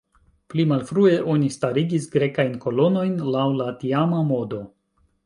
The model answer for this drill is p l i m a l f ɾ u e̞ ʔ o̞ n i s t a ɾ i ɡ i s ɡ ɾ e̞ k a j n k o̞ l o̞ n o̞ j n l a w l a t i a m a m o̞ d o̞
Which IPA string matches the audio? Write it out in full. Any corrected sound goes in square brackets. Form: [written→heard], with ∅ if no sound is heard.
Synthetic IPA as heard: p l i m a l f ɾ u e̞ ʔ o̞ n i s t a ɾ i ɡ i s ɡ ɾ e̞ k a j n k o̞ l o̞ n o̞ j n l a w l a t i a m a m o̞ d o̞